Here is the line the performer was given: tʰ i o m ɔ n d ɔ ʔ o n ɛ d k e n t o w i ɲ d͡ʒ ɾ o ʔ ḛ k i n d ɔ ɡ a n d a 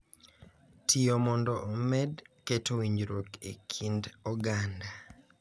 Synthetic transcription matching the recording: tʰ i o m ɔ n d ɔ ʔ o m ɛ d k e t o w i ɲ d͡ʒ ɾ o k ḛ kʰ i n d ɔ ɡ a n d a

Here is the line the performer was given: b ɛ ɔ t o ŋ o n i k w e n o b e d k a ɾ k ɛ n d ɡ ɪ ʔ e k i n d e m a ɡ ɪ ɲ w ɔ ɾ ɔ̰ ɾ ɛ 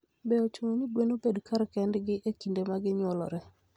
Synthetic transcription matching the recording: b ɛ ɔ t͡ʃ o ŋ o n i ɡ w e n o b e d k a ɾ k ɛ n d ɡ ɪ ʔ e k i n d e m a ɡ ɪ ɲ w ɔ l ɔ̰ ɾ ɛ

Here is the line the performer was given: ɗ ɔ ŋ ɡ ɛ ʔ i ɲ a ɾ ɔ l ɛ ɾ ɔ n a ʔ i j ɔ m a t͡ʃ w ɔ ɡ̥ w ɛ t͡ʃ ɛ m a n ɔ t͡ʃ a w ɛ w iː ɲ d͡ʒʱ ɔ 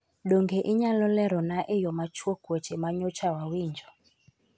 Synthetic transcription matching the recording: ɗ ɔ ŋ ɡ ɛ ʔ i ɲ a l ɔ l ɛ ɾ ɔ n a ʔ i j ɔ m a t͡ʃ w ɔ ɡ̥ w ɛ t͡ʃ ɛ m a ɲ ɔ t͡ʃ a w a w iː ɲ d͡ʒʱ ɔ

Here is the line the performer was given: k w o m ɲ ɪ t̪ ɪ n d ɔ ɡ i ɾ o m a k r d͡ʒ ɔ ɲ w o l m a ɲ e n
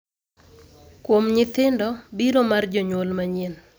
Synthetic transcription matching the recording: k w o m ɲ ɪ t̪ ɪ n d ɔ b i ɾ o m a r d͡ʒ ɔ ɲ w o l m a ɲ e n

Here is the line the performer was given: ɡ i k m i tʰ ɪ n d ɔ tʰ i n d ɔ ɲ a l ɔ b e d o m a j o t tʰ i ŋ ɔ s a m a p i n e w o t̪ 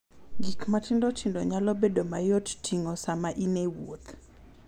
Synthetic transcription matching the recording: ɡ i k m a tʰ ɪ n d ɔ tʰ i n d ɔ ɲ a l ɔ b e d o m a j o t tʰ i ŋ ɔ s a m a ʔ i n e w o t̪

